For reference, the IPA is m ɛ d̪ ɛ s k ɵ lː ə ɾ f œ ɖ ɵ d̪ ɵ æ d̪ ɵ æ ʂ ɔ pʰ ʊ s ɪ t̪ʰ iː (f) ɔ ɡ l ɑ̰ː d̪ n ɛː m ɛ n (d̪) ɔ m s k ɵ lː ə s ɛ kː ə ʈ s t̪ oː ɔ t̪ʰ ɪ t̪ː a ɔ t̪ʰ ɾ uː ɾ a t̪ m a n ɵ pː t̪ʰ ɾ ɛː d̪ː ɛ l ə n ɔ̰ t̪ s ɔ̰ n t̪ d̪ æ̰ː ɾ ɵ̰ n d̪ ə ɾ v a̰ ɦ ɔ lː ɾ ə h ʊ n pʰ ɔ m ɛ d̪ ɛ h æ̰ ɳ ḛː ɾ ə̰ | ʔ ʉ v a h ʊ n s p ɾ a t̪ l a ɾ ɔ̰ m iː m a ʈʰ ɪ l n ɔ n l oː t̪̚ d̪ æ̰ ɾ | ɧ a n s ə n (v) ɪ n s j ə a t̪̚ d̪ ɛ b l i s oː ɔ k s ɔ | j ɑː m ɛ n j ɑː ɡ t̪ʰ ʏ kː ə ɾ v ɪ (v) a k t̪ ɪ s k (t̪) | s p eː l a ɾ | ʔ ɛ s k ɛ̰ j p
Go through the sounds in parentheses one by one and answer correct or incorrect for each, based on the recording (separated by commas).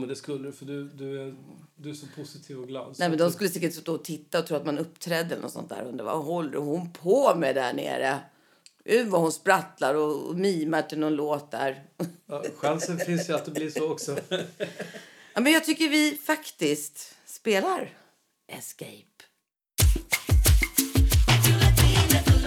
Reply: incorrect, correct, incorrect, incorrect, correct